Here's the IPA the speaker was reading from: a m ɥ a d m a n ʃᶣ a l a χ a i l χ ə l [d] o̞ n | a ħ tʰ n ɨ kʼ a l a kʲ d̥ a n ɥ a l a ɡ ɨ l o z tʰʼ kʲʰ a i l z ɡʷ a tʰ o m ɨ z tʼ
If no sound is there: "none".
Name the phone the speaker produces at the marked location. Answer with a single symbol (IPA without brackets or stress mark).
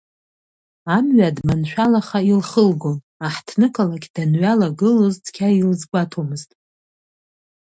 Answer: ɡ